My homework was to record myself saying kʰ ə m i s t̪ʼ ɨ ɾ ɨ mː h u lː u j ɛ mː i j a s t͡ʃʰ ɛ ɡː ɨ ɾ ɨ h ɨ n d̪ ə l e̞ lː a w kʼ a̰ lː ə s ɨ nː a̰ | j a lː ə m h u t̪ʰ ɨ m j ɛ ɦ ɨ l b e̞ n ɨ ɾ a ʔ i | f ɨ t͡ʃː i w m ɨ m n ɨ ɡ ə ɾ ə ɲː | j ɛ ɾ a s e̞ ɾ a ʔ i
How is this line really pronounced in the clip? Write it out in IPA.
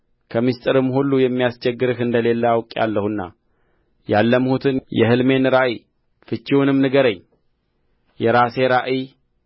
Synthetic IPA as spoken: kʰ ə m i s t̪ʼ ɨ ɾ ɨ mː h u lː u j ɛ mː i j a s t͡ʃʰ ɛ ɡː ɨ ɾ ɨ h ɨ n d̪ ə l e̞ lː a w kʼ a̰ lː ə h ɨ nː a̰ | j a lː ə m h u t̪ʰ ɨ n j ɛ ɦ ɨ l m e̞ n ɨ ɾ a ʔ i | f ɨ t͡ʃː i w n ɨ m n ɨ ɡ ə ɾ ə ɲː | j ɛ ɾ a s e̞ ɾ a ʔ i